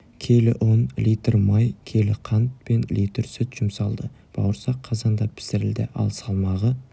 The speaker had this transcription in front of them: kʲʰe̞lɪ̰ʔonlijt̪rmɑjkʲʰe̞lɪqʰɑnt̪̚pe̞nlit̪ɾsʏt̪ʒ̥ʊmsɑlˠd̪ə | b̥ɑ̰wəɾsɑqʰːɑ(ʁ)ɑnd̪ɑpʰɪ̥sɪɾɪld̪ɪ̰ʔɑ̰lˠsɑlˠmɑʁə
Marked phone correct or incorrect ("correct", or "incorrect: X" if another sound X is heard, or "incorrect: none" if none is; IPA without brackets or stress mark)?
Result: incorrect: z